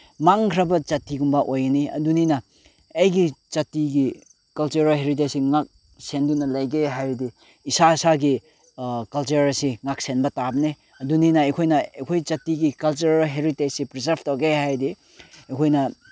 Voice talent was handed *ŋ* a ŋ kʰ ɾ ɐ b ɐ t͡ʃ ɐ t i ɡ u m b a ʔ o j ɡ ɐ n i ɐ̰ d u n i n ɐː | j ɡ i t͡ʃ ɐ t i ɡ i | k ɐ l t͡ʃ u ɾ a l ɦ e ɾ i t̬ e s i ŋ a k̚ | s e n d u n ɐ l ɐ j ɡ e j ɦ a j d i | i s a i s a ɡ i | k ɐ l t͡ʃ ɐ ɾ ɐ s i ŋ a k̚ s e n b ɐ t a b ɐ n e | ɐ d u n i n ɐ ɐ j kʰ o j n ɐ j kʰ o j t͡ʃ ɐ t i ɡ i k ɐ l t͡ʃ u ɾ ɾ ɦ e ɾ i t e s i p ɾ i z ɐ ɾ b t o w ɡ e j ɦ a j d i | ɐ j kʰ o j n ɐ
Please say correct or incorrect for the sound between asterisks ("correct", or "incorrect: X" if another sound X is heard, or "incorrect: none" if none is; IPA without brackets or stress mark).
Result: incorrect: m